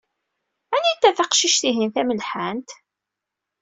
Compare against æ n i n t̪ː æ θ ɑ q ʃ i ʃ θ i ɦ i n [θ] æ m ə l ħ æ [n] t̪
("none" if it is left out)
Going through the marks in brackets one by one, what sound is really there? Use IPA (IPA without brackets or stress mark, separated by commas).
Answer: θ, n